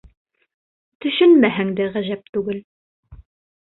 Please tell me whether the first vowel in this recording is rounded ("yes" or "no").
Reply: yes